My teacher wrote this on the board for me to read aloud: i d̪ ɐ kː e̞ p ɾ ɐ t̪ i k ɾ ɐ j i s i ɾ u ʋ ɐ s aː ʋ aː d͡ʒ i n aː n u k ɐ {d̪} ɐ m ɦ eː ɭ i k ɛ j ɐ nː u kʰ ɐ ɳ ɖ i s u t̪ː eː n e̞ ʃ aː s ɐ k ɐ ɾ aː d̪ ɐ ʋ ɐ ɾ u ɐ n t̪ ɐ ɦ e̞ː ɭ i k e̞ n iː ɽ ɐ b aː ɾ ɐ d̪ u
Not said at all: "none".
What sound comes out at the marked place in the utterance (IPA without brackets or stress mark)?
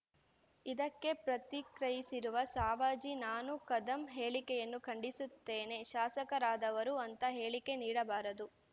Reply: d̪